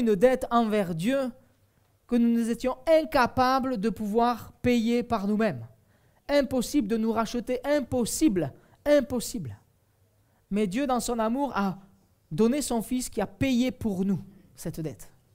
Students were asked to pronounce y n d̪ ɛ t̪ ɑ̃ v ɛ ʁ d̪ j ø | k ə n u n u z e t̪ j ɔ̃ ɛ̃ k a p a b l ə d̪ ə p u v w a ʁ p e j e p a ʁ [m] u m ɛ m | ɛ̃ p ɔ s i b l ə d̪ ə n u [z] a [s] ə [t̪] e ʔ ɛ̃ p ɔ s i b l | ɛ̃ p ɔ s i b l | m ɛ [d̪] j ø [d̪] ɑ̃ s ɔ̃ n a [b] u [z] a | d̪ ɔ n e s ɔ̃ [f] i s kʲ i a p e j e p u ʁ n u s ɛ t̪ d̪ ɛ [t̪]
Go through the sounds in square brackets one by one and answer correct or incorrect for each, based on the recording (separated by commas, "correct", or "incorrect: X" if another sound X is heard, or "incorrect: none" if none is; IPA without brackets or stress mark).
incorrect: n, incorrect: ʁ, incorrect: ʃ, correct, correct, correct, incorrect: m, incorrect: ʁ, correct, correct